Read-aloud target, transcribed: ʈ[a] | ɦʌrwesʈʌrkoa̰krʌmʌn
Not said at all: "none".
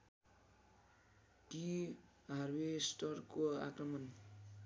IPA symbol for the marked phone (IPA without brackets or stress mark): i